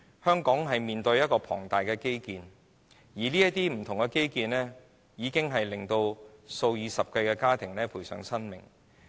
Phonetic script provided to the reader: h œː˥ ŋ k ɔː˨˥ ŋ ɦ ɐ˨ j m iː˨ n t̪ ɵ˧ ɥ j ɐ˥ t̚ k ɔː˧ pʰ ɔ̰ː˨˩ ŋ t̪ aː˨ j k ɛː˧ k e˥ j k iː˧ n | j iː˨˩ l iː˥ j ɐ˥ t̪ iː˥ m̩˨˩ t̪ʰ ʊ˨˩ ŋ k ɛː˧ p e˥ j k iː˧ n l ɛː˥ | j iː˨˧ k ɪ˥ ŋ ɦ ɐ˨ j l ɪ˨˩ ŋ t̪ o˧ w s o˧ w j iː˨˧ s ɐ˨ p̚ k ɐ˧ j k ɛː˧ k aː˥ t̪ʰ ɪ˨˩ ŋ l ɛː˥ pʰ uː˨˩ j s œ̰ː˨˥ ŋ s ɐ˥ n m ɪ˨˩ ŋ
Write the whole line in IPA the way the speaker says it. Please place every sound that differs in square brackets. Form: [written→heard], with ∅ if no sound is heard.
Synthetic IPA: h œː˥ ŋ k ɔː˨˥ ŋ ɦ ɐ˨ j m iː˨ n t̪ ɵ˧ ɥ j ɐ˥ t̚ k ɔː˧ pʰ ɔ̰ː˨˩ ŋ t̪ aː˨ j k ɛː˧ k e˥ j k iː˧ n | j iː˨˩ l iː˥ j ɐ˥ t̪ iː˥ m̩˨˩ t̪ʰ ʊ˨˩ ŋ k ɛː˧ [p→k] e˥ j k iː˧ n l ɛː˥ | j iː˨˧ k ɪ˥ ŋ ɦ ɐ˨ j l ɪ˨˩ ŋ t̪ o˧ w s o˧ w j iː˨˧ s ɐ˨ p̚ k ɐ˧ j k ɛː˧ k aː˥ t̪ʰ ɪ˨˩ ŋ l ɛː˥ pʰ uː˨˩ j s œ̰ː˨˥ ŋ s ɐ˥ n m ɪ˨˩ ŋ

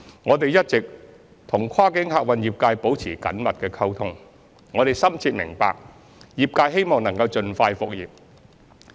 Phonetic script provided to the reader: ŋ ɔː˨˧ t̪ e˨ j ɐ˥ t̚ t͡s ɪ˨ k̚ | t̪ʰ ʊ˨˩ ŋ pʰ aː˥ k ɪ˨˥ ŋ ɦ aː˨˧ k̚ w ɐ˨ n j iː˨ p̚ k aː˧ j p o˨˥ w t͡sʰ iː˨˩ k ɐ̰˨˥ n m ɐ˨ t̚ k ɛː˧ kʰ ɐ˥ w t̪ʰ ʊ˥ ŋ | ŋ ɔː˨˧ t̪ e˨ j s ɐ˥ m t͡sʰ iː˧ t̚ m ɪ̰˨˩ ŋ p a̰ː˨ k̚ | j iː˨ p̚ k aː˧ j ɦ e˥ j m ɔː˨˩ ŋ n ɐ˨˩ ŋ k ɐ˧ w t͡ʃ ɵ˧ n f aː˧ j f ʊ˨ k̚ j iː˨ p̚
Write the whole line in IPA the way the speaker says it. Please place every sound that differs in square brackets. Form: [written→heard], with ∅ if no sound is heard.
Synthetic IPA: ŋ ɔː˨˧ t̪ e˨ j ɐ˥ t̚ t͡s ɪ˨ k̚ | t̪ʰ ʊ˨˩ ŋ [pʰ→kʰ] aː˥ k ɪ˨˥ ŋ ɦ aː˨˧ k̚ w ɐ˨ n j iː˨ p̚ k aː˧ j p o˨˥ w t͡sʰ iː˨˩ k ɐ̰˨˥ n m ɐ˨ t̚ k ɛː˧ kʰ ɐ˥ w t̪ʰ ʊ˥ ŋ | ŋ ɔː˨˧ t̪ e˨ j s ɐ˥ m t͡sʰ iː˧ t̚ m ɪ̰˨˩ ŋ p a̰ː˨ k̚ | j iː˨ p̚ k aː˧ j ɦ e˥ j m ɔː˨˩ ŋ n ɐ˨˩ ŋ k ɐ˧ w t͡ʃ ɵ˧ n f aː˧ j f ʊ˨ k̚ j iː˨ p̚

